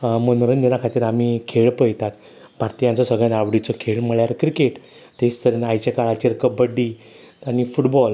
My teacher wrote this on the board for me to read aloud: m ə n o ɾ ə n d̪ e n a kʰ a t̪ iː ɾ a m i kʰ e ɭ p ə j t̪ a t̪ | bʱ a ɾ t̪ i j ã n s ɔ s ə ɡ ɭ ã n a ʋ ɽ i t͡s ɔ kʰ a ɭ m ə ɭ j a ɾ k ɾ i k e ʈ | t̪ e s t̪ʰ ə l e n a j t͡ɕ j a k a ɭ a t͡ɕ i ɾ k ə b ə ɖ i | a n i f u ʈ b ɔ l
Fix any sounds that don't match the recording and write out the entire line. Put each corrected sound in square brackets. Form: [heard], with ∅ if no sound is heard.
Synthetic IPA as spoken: m ə n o ɾ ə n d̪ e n a kʰ a t̪ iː ɾ a m i kʰ e ɭ p ə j t̪ a t̪ | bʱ a ɾ t̪ i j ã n [t͡s] ɔ s ə ɡ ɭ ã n a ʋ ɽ i t͡s ɔ kʰ [e] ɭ m ə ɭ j a ɾ k ɾ i k e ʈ | t̪ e s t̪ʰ ə [ɾ] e n a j t͡ɕ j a k a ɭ a t͡ɕ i ɾ k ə b ə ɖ i | a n i f u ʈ b ɔ l